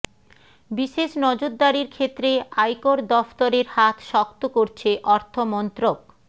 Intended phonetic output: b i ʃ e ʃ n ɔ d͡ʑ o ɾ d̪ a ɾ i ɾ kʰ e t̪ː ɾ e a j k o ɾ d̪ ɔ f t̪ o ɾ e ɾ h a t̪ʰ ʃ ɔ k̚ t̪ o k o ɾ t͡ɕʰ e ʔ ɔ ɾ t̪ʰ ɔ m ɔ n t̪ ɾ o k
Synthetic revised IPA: b i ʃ e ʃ n ɔ d͡ʑ o ɾ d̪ a ɾ i ɾ kʰ e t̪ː ɾ e a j k o ɾ d̪ ɔ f t̪ o ɾ e ɾ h a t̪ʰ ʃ ɔ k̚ t̪ o k o ɾ t͡ɕʰ e ʔ ɔ ɾ t̪ʰ o m ɔ n t̪ ɾ o k